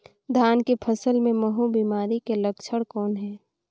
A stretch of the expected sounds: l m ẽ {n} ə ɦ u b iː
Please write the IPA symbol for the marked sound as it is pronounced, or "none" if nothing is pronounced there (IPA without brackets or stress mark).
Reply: m